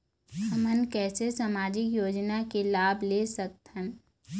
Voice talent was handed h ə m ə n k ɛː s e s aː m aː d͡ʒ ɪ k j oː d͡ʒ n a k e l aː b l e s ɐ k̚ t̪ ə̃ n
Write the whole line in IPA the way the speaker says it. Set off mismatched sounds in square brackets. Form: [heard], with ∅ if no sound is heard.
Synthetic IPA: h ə m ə n k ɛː s e s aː m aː d͡ʒ ɪ k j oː d͡ʒ n a k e l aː b l e s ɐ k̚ t̪ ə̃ n